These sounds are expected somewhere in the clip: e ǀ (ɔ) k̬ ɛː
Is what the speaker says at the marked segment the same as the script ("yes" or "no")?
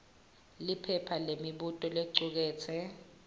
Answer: no